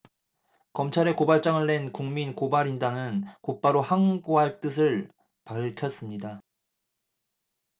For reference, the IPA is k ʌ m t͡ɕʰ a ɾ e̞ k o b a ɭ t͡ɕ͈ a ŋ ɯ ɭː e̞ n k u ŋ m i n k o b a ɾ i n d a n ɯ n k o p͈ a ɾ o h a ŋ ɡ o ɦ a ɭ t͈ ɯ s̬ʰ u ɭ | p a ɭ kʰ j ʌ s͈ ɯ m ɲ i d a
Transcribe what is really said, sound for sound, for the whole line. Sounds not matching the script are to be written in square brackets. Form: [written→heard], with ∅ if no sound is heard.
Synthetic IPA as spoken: k ʌ m t͡ɕʰ a ɾ e̞ k o b a ɭ t͡ɕ͈ a ŋ ɯ ɭː e̞ n k u ŋ m i n k o b a ɾ i n d a n ɯ n k o p͈ a ɾ o h a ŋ ɡ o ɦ a ɭ t͈ ɯ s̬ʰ [u→ɯ] ɭ | p a ɭ kʰ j ʌ s͈ ɯ m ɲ i d a